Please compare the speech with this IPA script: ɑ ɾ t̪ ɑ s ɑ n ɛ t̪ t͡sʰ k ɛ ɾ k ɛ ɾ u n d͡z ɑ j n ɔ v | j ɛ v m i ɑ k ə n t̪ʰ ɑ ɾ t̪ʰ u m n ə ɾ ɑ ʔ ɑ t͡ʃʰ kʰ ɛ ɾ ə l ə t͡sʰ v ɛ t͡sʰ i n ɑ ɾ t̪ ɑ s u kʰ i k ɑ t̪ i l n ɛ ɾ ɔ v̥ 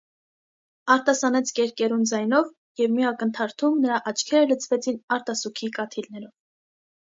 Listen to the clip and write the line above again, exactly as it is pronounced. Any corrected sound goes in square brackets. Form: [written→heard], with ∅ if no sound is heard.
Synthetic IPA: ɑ ɾ t̪ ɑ s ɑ n ɛ [t̪→∅] t͡sʰ k ɛ ɾ k ɛ ɾ u n d͡z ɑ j n ɔ v | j ɛ v m i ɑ k ə n t̪ʰ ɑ ɾ t̪ʰ u m n ə ɾ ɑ ʔ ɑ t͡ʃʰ kʰ ɛ ɾ ə l ə t͡sʰ v ɛ t͡sʰ i n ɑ ɾ t̪ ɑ s u kʰ i k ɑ [t̪→t̪ʰ] i l n ɛ ɾ ɔ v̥